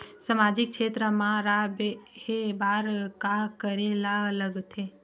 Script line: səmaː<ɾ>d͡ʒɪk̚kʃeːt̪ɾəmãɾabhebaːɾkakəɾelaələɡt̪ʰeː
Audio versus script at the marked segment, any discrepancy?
yes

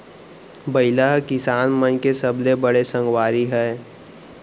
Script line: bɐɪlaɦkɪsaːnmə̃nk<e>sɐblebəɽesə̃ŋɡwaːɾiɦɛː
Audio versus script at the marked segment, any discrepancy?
no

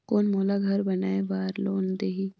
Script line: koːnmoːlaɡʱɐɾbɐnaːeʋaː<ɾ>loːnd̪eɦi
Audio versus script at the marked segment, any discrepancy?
no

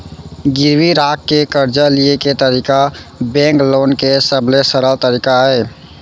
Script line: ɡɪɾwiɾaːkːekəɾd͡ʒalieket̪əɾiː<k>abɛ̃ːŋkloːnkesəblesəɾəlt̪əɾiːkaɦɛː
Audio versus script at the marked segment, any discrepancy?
no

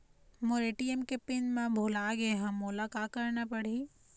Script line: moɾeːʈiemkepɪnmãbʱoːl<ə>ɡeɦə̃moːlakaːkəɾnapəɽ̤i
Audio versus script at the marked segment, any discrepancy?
yes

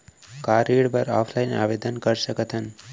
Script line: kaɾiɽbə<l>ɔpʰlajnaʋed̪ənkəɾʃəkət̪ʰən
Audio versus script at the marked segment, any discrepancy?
yes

